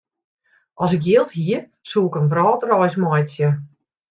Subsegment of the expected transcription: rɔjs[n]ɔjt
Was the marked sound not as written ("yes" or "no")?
yes